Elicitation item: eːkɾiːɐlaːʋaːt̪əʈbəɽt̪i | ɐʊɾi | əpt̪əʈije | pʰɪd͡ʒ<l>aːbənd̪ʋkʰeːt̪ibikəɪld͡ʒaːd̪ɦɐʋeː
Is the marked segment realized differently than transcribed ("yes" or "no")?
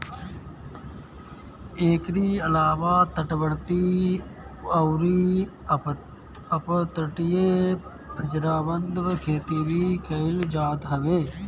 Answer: yes